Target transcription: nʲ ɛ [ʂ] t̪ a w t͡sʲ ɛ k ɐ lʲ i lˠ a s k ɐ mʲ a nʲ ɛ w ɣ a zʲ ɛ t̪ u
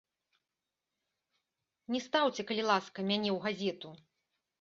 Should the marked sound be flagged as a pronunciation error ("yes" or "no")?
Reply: yes